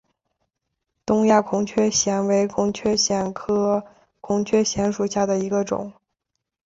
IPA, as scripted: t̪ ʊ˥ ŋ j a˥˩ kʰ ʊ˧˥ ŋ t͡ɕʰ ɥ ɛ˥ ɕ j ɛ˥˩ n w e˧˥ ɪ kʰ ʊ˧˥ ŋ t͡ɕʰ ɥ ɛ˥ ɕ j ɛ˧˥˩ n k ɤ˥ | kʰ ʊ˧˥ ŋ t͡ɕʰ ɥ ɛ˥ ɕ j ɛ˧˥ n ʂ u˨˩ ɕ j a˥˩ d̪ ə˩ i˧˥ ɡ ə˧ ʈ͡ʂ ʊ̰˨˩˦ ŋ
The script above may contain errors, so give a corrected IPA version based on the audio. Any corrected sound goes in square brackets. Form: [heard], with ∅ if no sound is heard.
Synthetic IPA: t̪ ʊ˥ ŋ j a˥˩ kʰ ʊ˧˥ ŋ t͡ɕʰ ɥ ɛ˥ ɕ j [ɛ˧˥] n w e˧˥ ɪ kʰ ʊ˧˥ ŋ t͡ɕʰ ɥ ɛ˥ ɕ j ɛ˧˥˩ n [kʰ] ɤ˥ | kʰ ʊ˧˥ ŋ t͡ɕʰ ɥ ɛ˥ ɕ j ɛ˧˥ n ʂ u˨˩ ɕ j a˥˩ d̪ ə˩ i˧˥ ɡ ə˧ ʈ͡ʂ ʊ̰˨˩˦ ŋ